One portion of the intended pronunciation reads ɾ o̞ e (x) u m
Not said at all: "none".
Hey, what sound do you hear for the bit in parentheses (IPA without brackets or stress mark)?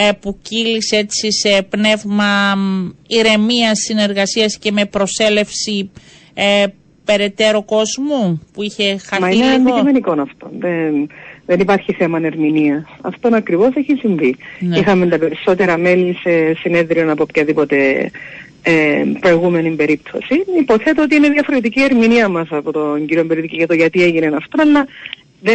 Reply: ɣ